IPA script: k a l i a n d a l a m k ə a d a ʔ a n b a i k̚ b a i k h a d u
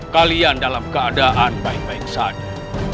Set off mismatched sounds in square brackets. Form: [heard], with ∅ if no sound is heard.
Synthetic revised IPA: k a l i a n d a l a m k ə a d a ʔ a n b a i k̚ b a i k [s] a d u